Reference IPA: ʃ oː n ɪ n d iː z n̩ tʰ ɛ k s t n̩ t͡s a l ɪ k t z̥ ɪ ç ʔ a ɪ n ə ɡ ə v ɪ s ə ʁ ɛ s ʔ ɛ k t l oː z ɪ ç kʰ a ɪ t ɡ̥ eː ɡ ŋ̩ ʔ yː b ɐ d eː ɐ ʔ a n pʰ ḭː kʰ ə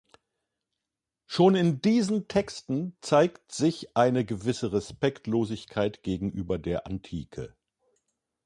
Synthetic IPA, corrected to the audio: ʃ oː n ɪ n d iː z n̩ tʰ ɛ k s t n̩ t͡s a ɪ k t z̥ ɪ ç ʔ a ɪ n ə ɡ ə v ɪ s ə ʁ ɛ s p ɛ k t l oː z ɪ ç kʰ a ɪ t ɡ̥ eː ɡ ŋ̩ ʔ yː b ɐ d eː ɐ ʔ a n tʰ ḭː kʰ ə